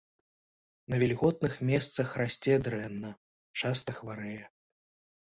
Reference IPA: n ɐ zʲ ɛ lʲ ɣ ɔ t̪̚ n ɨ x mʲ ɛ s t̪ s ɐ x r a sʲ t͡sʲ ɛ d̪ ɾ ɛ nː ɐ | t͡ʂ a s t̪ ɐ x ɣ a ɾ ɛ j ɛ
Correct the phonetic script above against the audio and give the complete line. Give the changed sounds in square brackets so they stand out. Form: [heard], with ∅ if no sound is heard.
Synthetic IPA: n ɐ [vʲ] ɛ lʲ ɣ ɔ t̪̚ n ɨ x mʲ ɛ s t̪ s ɐ x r a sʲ t͡sʲ ɛ d̪ ɾ ɛ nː ɐ | t͡ʂ a s t̪ ɐ x [v] a ɾ ɛ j ɛ